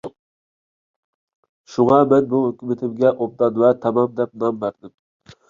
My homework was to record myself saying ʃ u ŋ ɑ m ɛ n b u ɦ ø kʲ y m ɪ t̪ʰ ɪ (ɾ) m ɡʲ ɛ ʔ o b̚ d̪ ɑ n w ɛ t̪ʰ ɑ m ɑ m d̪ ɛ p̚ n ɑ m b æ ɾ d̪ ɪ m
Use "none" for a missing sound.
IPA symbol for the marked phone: none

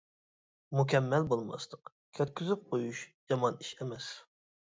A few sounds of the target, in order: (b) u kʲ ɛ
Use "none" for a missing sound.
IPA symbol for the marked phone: m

